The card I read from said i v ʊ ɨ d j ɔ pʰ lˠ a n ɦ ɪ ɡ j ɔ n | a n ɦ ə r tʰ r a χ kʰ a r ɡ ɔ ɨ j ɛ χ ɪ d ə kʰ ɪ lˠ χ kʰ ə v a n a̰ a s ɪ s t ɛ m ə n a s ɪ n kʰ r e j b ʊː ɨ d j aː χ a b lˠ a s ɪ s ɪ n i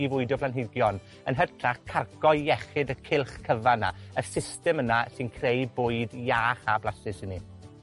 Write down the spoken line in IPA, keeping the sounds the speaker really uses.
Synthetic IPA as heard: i v ʊ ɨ d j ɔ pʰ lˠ a n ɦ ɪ ɡ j ɔ n | ə n ɦ ə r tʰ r a χ kʰ a r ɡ ɔ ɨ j ɛ χ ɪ d ə kʰ ɪ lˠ χ kʰ ə v a n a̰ ə s ɪ s t ɛ m ə n a s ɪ n kʰ r e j b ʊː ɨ d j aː χ a b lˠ a s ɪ s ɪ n i